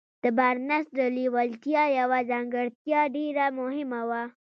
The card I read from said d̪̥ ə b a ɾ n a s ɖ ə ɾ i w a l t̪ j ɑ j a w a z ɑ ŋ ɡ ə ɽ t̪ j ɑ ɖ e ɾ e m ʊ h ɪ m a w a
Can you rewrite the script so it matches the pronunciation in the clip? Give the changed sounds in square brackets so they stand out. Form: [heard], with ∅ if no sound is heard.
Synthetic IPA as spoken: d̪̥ ə b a ɾ n a s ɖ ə [l] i w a l t̪ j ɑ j a w a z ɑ ŋ ɡ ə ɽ t̪ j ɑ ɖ e ɾ [a] m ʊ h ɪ m a w a